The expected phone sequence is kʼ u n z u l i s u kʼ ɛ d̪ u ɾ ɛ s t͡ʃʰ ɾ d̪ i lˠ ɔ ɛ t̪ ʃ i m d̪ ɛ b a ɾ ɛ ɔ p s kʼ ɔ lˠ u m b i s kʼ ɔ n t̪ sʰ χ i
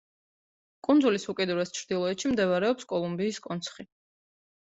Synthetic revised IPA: kʼ u n z u l i s u kʼ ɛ d̪ u ɾ ɛ s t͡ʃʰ ɾ d̪ i lˠ ɔ ɛ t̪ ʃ i m d̪ ɛ v a ɾ ɛ ɔ p s kʼ ɔ lˠ u m b iː s kʼ ɔ n t̪ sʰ χ i

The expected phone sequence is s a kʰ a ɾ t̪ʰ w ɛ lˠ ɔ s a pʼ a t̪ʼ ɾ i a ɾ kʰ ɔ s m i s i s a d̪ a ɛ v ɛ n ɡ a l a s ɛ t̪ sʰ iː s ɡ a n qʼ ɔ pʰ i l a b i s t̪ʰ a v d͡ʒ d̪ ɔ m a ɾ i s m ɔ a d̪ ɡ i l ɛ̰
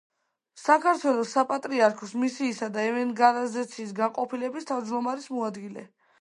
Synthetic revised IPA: s a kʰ a ɾ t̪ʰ w ɛ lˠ ɔ s a pʼ a t̪ʼ ɾ i a ɾ kʰ ɔ s m i s iː s a d̪ a ɛ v ɛ n ɡ a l a z ɛ t̪ sʰ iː s ɡ a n qʼ ɔ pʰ i l ɛ b i s t̪ʰ a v d͡ʒ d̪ ɔ m a ɾ i s m ɔ a d̪ ɡ i l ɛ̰

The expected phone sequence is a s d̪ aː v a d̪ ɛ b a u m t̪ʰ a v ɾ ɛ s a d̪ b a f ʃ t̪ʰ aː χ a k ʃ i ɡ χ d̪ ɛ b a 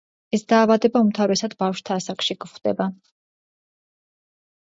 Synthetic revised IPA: ɛ s d̪ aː v a d̪ ɛ b a u m t̪ʰ a v ɾ ɛ s a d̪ b a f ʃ t̪ʰ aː s a k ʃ i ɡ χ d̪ ɛ b a

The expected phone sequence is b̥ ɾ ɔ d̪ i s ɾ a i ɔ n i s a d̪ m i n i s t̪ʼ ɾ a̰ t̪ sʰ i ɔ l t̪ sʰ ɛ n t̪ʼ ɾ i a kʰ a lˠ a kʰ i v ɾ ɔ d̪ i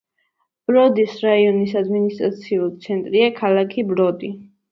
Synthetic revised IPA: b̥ ɾ ɔ d̪ i s ɾ a i ɔ n i s a d̪ m i n i s t̪ʼ ɾ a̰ t̪ sʰ i u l t̪ sʰ ɛ n t̪ʼ ɾ i a kʰ a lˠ a kʰ i b ɾ ɔ d̪ i

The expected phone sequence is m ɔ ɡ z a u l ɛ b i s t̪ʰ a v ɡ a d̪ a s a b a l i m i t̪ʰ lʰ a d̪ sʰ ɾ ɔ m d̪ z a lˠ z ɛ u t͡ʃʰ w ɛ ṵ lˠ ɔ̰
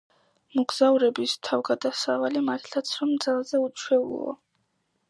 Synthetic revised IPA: m ɔ ɡ z a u ɾ ɛ b i s t̪ʰ a v ɡ a d̪ a s a v a l i m a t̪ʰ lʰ a t̪ sʰ ɾ ɔ m d̪ z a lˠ z ɛ u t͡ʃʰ w ɛ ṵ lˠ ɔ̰

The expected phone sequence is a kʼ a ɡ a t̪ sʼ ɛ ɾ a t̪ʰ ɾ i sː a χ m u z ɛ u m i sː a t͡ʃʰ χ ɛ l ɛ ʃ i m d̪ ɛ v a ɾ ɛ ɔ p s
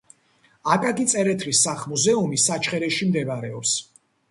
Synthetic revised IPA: a kʼ a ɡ i t̪ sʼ ɛ ɾ ɛ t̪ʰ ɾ i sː a χ m u z ɛ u m i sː a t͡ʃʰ χ ɛ ɾ ɛ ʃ i m d̪ ɛ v a ɾ ɛ ɔ p s

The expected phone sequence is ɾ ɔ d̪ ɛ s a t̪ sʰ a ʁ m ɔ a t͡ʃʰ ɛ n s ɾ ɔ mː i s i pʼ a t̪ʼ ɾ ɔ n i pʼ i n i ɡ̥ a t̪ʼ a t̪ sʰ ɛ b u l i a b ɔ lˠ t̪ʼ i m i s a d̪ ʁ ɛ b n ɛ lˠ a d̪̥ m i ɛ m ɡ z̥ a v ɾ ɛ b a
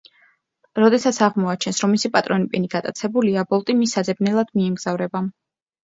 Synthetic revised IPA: ɾ ɔ d̪ ɛ s a t̪ sʰ a ʁ m ɔ a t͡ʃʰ ɛ n s ɾ ɔ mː i s i pʼ a t̪ʼ ɾ ɔ n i pʼ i n i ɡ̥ a t̪ʼ a t̪ sʰ ɛ b u l i a b ɔ lˠ t̪ʼ i m i s a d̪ z ɛ b n ɛ lˠ a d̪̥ m i ɛ m ɡ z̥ a v ɾ ɛ b a

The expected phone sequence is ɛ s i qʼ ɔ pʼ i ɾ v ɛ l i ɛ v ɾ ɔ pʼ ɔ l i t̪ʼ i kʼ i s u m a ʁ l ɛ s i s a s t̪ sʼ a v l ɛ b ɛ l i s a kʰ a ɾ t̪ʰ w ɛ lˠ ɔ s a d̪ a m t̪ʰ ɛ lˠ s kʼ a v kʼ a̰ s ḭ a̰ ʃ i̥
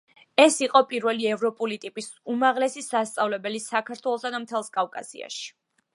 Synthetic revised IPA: ɛ s i qʼ ɔ pʼ i ɾ v ɛ l i ɛ v ɾ ɔ pʼ u l i t̪ʼ i pʼ i s u m a ʁ l ɛ s i s a s t̪ sʼ a v l ɛ b ɛ l i s a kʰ a ɾ t̪ʰ w ɛ lˠ ɔ s a d̪ a m t̪ʰ ɛ lˠ s kʼ a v kʼ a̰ s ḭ a̰ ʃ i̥

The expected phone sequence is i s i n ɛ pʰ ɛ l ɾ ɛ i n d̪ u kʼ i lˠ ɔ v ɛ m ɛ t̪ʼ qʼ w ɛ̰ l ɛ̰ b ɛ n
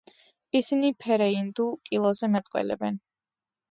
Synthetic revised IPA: i s i n i pʰ ɛ ɾ ɛ i n d̪ u kʼ i lˠ ɔ z ɛ m ɛ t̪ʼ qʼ w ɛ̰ l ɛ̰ b ɛ n

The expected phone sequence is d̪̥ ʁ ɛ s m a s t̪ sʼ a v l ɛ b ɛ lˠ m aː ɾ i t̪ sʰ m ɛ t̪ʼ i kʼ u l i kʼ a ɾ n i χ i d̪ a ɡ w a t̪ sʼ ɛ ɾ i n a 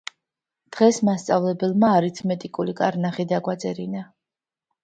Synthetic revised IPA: d̪̥ ʁ ɛ s m a s t̪ sʼ a v l ɛ b ɛ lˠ m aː ɾ i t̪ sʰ m ɛ t̪ʼ i kʼ u l i kʼ a ɾ n a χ i d̪ a ɡ w a t̪ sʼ ɛ ɾ i n a

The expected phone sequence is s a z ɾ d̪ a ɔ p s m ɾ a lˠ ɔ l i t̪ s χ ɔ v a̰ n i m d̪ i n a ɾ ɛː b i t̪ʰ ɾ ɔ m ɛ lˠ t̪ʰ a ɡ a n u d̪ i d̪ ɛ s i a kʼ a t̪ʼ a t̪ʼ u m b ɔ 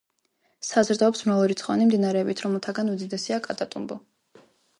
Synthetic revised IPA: s a z ɾ d̪ a ɔ p s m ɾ a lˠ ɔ ɾ i t̪ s χ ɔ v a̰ n i m d̪ i n a ɾ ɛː b i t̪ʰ ɾ ɔ m ɛ lˠ t̪ʰ a ɡ a n u d̪ i d̪ ɛ s i a kʼ a t̪ʼ a t̪ʼ u m b ɔ

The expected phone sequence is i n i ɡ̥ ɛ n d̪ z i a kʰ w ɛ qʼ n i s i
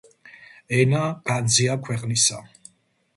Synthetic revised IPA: ɛ n a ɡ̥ a n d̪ z i a kʰ w ɛ qʼ n i s a

